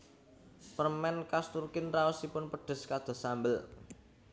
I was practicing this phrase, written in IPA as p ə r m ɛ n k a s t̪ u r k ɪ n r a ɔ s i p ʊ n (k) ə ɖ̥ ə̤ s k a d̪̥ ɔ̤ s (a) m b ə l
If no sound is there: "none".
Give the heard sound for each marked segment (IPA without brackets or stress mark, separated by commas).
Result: p, a